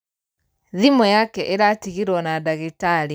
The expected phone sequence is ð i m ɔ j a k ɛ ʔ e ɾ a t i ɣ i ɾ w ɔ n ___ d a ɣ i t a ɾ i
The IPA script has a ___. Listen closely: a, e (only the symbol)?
a